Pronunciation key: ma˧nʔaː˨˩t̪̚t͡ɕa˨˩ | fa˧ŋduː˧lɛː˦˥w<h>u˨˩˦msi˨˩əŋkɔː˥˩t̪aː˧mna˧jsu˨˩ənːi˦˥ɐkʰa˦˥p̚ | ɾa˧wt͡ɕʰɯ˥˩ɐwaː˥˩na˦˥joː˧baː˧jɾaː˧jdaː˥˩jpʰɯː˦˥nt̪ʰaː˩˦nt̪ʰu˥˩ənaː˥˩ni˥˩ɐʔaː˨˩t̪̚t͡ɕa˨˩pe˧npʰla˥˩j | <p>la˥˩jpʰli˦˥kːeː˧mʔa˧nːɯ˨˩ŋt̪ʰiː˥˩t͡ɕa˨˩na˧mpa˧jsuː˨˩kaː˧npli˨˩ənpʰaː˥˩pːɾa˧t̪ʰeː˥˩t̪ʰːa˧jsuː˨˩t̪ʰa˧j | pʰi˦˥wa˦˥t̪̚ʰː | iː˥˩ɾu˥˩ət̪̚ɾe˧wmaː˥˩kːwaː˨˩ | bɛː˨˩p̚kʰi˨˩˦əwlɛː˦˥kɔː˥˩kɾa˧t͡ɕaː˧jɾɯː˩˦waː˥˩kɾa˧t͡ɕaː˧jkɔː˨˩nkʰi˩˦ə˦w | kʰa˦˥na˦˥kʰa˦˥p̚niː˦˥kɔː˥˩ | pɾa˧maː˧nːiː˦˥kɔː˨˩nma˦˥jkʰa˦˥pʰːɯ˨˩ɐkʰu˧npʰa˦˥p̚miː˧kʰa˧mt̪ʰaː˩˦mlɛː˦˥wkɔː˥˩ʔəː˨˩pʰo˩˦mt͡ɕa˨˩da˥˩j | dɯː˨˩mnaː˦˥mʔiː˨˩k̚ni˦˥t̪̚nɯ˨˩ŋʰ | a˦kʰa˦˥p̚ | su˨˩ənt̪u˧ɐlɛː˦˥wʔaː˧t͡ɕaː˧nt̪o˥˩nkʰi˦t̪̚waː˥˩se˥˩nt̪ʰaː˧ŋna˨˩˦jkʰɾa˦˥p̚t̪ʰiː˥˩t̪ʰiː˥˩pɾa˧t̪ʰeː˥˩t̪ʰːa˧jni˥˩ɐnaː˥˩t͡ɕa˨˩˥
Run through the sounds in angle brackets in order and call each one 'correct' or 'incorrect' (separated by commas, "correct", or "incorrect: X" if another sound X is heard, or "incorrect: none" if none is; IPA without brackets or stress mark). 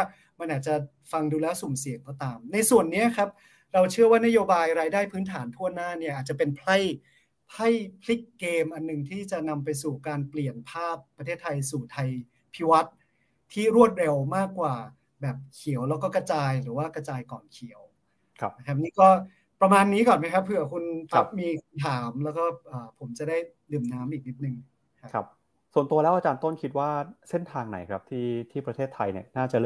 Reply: incorrect: s, incorrect: pʰ